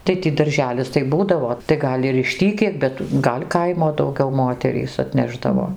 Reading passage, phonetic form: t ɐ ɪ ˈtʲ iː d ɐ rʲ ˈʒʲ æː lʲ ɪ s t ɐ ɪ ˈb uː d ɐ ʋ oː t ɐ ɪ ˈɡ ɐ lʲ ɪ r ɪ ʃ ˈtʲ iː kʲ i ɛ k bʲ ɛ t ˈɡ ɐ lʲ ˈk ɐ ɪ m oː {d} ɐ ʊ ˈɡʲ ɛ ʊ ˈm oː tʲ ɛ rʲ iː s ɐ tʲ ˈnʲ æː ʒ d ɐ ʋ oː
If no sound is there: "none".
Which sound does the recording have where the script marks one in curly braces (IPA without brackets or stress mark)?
d